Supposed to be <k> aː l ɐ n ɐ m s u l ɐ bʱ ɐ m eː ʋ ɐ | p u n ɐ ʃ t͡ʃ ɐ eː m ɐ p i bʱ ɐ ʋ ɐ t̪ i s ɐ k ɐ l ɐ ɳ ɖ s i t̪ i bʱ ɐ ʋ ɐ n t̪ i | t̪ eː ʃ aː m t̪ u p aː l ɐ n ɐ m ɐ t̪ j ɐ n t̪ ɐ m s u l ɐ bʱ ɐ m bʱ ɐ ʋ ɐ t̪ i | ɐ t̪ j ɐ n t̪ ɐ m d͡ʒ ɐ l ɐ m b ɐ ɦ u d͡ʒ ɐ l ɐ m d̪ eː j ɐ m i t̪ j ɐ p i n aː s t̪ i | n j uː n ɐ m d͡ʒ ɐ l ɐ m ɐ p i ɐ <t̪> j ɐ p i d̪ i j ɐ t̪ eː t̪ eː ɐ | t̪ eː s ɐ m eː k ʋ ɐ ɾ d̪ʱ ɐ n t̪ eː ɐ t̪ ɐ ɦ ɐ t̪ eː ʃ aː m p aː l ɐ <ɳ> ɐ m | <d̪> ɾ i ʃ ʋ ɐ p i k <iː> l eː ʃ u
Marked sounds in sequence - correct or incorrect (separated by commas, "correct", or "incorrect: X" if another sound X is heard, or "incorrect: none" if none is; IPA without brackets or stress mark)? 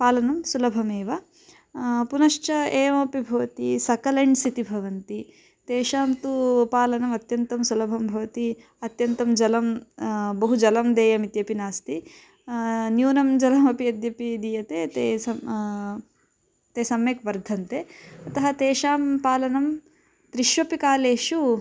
incorrect: p, incorrect: d̪, incorrect: n, incorrect: t̪, incorrect: aː